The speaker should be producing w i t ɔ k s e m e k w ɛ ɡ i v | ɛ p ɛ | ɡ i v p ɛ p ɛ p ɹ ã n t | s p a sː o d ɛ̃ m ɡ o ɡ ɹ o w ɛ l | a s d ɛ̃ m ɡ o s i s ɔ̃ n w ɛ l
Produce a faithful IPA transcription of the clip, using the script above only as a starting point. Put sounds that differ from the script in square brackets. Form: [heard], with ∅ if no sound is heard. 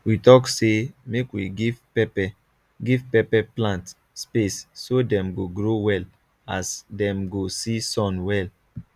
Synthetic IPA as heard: w i t ɔ k s e m e k w [i] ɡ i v | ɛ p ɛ | ɡ i v p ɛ p ɛ p [l] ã n t | s p [e] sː o d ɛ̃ m ɡ o ɡ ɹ o w ɛ l | a s d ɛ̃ m ɡ o s i s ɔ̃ n w ɛ l